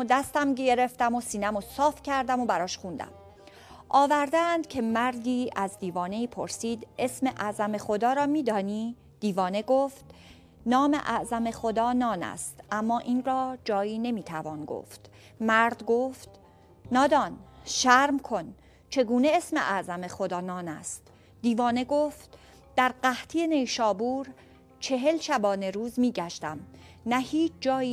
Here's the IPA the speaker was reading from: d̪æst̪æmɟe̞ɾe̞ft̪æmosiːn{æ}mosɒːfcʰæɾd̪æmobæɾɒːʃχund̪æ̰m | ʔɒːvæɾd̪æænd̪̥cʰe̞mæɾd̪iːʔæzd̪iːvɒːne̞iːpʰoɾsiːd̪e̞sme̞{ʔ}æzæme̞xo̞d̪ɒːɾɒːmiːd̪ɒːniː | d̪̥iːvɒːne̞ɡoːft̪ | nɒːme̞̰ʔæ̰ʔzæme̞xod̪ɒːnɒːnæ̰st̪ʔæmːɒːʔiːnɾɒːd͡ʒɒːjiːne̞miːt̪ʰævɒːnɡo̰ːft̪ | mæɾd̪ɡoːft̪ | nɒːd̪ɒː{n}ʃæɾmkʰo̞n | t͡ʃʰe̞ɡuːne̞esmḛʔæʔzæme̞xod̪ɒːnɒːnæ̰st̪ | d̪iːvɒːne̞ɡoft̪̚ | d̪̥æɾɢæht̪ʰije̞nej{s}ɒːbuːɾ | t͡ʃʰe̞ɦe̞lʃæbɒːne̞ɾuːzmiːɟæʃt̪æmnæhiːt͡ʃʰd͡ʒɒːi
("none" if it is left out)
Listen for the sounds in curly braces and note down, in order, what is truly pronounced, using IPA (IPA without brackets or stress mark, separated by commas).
æ, ʔ, n, ʃ